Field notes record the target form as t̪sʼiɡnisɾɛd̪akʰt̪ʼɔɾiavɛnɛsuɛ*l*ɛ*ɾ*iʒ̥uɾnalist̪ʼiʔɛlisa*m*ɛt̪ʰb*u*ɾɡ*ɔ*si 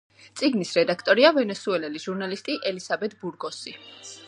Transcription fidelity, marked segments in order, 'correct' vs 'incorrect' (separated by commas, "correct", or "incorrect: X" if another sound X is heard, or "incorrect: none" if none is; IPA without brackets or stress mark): correct, incorrect: l, incorrect: b, correct, correct